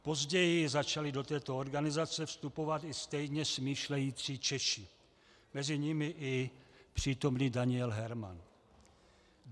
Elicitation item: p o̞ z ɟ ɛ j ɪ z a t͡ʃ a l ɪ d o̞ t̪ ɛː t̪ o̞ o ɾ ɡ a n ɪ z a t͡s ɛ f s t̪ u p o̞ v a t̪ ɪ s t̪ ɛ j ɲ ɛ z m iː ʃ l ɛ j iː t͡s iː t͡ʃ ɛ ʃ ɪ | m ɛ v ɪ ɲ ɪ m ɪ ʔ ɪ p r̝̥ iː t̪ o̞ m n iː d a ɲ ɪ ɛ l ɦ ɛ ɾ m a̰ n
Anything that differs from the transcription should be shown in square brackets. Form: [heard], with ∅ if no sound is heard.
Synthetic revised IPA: p o̞ z ɟ ɛ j ɪ z a t͡ʃ a l ɪ d o̞ t̪ ɛː t̪ o̞ o ɾ ɡ a n ɪ z a t͡s ɛ f s t̪ u p o̞ v a t̪ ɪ s t̪ ɛ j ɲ ɛ [s] m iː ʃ l ɛ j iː t͡s iː t͡ʃ ɛ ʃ ɪ | m ɛ [z] ɪ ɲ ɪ m ɪ ʔ ɪ p r̝̥ iː t̪ o̞ m n iː d a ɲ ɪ ɛ l ɦ ɛ ɾ m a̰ n